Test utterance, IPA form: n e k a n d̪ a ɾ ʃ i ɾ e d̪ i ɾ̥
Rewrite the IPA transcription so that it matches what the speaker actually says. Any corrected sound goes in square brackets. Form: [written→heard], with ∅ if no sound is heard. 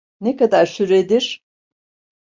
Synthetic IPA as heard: n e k a [n→∅] d̪ a ɾ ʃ [i→y] ɾ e d̪ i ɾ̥